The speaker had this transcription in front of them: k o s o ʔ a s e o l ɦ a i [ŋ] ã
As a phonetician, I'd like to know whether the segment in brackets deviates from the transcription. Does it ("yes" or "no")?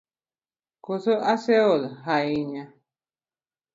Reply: yes